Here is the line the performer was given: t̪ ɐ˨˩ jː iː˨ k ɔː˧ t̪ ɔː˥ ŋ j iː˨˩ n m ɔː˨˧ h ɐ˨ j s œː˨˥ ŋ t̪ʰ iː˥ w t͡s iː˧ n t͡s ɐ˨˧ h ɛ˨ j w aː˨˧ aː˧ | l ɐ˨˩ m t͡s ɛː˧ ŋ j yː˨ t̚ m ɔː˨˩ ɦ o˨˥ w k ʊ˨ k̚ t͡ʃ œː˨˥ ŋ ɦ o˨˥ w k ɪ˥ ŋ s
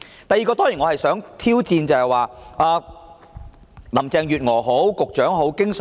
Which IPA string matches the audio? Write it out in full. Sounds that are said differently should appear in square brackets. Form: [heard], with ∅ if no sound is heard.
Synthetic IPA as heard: t̪ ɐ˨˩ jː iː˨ k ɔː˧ t̪ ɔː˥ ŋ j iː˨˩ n [ŋ] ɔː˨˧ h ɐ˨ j s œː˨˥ ŋ t̪ʰ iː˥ w t͡s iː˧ n t͡s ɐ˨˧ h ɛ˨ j w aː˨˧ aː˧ | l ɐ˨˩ m t͡s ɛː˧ ŋ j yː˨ t̚ [ŋ] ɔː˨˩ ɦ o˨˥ w k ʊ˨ k̚ t͡ʃ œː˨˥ ŋ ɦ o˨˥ w k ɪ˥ ŋ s